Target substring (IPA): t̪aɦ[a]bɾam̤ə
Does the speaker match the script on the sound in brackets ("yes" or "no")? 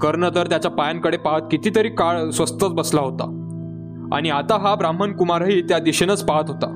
yes